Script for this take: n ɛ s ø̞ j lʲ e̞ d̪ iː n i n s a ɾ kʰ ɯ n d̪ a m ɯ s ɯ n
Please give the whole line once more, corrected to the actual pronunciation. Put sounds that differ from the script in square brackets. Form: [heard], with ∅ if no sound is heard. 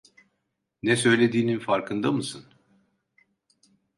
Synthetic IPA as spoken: n ɛ s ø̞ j lʲ e̞ d̪ iː n i n [f] a ɾ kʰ ɯ n d̪ a m ɯ s ɯ n